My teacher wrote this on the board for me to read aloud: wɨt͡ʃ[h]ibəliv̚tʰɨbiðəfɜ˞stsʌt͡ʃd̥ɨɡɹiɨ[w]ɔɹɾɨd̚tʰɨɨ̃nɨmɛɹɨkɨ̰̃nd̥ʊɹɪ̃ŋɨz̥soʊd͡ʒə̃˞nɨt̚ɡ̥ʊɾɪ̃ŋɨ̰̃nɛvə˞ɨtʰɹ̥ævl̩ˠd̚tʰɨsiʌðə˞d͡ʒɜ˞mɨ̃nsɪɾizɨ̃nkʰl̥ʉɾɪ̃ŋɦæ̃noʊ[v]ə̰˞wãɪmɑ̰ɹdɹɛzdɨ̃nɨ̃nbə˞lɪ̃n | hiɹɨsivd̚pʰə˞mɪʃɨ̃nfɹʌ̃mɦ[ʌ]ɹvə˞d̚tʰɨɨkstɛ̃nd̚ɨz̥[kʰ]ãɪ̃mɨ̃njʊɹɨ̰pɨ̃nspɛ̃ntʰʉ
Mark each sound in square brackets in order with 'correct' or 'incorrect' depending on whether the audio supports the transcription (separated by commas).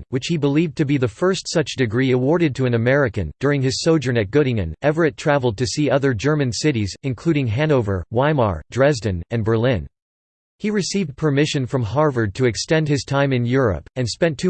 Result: correct, correct, correct, incorrect, incorrect